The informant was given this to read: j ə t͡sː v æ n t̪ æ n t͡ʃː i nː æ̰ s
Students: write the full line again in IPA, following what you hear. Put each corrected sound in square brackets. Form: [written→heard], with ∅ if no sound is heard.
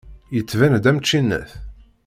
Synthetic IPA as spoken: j ə t͡sː v æ n [t̪→d̪] æ [n→m] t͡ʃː i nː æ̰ [s→θ]